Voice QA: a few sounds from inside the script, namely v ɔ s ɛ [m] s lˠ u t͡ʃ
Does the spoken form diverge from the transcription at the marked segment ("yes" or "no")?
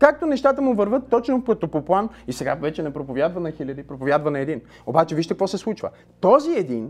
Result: yes